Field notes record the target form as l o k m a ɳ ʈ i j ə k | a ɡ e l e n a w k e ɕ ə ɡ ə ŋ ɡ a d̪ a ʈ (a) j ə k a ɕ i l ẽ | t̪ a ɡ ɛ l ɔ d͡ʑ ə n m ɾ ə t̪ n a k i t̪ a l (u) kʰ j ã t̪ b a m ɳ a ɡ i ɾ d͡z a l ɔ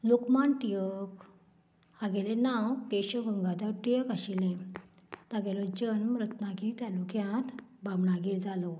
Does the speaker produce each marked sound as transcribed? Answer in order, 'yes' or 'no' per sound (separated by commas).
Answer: no, yes